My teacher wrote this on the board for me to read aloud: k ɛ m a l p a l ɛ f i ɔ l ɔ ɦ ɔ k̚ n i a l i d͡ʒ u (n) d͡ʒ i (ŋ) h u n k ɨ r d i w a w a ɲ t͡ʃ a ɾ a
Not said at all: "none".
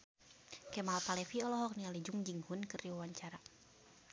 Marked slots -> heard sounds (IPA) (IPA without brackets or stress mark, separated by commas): ŋ, ŋ